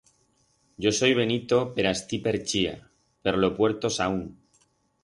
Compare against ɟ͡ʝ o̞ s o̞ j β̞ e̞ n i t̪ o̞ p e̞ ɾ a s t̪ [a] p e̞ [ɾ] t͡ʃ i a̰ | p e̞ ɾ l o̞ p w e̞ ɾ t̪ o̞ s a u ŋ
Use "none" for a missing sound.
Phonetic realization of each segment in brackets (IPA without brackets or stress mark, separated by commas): i, ɾ